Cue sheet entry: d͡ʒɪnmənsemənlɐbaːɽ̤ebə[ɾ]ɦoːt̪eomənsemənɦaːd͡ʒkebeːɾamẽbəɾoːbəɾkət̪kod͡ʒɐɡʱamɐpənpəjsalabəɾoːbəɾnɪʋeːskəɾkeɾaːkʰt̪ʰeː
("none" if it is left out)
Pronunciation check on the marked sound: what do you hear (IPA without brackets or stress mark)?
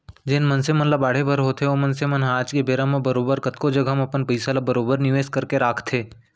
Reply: ɾ